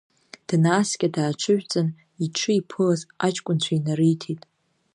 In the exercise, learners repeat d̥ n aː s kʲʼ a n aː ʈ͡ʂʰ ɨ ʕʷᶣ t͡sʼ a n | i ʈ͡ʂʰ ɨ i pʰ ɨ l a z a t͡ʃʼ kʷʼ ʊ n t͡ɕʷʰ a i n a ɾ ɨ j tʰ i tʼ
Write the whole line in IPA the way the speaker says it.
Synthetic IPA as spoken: d̥ n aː s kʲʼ a d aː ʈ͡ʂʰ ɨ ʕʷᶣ t͡sʼ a n | i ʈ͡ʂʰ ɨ i pʰ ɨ l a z a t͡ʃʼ kʷʼ ʊ n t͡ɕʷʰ a i n a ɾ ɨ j tʰ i tʼ